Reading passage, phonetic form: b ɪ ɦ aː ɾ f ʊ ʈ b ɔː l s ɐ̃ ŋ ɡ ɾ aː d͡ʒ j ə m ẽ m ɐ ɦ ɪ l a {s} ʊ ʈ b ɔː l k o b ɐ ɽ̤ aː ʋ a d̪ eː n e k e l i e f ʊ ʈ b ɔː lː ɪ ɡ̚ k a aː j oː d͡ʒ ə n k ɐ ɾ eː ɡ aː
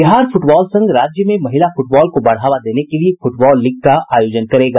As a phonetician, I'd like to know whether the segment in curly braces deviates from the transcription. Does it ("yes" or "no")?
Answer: yes